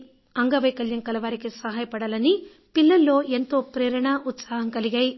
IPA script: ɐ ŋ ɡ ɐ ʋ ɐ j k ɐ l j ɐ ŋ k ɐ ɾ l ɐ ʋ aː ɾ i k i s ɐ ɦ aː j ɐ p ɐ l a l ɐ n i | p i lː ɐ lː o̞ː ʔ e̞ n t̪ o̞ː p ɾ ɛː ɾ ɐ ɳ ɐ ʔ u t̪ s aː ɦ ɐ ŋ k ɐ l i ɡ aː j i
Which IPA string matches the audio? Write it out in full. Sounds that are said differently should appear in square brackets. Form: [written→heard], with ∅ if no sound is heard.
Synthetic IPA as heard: ɐ ŋ ɡ ɐ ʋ ɐ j k ɐ l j ɐ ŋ k ɐ [ɾ→∅] l ɐ ʋ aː ɾ i k i s ɐ ɦ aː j ɐ p ɐ [l→ɽ] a l ɐ n i | p i lː ɐ lː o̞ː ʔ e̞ n t̪ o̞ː p ɾ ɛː ɾ ɐ ɳ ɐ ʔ u t̪ s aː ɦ ɐ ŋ k ɐ l i ɡ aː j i